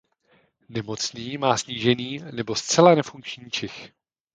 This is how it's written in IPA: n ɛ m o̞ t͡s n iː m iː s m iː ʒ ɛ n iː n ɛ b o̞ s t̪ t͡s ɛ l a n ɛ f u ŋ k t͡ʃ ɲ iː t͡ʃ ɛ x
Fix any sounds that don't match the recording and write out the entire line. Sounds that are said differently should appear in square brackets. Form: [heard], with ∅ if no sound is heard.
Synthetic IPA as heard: n ɛ m o̞ t͡s n iː m [aː] s [ɲ] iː ʒ ɛ n iː n ɛ b o̞ s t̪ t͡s ɛ l a n ɛ f u ŋ k t͡ʃ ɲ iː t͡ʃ ɛ x